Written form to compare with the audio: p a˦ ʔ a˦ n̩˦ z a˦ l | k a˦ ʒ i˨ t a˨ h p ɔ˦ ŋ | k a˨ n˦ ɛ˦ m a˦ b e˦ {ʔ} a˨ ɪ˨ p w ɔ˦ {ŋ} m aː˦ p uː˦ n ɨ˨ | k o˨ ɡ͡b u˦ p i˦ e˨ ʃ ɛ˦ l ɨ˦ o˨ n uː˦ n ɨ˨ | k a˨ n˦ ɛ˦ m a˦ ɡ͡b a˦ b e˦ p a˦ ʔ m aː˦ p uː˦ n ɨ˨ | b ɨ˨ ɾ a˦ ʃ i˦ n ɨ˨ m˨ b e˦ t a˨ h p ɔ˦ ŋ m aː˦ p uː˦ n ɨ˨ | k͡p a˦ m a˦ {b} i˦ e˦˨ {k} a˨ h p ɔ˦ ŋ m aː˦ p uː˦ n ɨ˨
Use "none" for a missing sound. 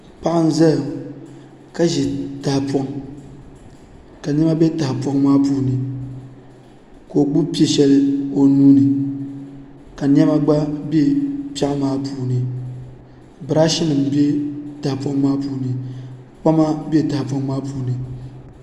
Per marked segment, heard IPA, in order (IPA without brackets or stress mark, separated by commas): t, ŋ, b, t